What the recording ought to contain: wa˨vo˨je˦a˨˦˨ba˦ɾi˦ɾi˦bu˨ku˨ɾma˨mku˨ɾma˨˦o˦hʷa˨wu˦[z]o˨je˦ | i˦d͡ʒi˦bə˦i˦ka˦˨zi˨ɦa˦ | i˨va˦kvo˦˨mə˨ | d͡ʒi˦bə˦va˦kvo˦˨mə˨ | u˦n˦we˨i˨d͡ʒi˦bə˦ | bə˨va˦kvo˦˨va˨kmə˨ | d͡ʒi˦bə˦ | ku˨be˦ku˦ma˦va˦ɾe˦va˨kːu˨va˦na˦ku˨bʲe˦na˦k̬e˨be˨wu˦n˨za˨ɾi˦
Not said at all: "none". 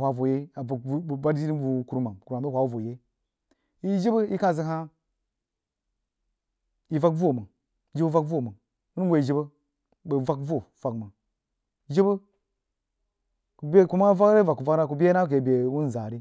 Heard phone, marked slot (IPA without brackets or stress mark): v